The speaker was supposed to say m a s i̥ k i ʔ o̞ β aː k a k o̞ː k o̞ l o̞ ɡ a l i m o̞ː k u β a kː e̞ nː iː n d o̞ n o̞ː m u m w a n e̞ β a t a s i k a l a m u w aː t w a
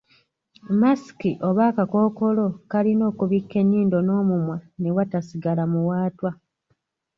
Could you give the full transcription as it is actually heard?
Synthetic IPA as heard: m a s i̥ k i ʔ o̞ β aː k a k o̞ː k o̞ l o̞ k a l i n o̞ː k u β i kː e̞ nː iː n d o̞ n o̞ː m u m w a n e̞ w a t a s i ɡ a l a m u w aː t w a